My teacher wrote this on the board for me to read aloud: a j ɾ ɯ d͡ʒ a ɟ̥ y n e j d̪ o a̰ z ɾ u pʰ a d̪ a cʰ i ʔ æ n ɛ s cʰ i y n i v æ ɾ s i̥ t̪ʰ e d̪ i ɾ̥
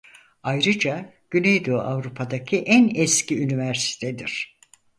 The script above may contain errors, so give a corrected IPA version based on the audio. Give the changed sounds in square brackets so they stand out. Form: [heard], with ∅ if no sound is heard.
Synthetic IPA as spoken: a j ɾ ɯ d͡ʒ a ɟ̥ y n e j d̪ o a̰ [v] ɾ u pʰ a d̪ a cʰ i ʔ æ n ɛ s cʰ i y n i v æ ɾ s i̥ t̪ʰ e d̪ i ɾ̥